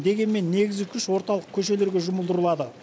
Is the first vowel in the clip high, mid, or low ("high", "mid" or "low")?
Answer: mid